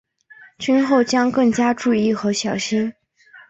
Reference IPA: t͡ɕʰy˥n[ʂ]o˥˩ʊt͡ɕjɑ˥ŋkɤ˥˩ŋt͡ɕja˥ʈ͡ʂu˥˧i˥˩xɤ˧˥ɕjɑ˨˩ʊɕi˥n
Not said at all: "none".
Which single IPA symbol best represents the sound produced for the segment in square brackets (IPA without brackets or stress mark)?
x